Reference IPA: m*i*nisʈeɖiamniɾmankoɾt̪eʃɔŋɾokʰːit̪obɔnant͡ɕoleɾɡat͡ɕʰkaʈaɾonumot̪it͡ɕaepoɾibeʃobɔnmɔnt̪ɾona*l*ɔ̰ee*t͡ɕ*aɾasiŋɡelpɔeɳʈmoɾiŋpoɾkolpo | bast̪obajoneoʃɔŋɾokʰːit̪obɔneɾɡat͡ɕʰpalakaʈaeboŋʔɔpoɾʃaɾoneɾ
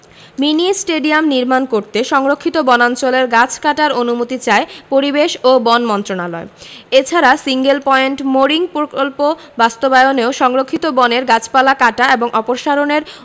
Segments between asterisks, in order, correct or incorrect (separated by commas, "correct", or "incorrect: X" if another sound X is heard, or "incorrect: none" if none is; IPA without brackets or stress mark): correct, correct, incorrect: t͡ɕʰ